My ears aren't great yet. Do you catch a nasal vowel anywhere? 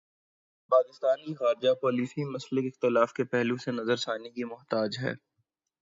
no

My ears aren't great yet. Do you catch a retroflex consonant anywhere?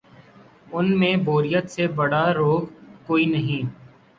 yes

